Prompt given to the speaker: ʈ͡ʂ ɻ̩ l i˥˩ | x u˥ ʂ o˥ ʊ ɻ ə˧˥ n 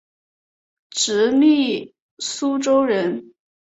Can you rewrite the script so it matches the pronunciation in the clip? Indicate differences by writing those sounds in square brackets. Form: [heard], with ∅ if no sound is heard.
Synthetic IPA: ʈ͡ʂ ɻ̩ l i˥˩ | [s] u˥ [ʈ͡ʂ] o˥ ʊ ɻ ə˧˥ n